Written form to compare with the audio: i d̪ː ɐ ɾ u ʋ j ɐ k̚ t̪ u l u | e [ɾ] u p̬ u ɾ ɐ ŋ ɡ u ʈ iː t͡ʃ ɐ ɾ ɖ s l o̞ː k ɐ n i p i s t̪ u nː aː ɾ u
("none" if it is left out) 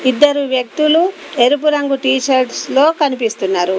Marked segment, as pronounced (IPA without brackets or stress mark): ɾ